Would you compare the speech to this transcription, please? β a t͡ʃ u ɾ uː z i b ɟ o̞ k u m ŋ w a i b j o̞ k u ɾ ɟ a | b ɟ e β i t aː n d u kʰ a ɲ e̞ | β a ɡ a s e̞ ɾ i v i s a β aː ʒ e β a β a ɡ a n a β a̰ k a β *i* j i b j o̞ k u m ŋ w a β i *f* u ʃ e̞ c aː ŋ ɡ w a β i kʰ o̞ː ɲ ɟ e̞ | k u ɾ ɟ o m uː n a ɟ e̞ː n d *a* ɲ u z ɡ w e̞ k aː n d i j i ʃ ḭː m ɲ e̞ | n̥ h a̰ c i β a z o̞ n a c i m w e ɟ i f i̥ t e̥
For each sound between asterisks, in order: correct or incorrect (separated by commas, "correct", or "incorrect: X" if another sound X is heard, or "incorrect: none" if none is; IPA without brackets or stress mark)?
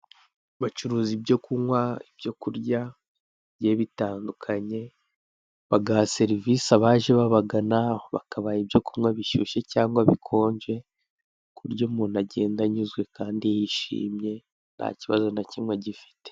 incorrect: a, incorrect: ʃ, correct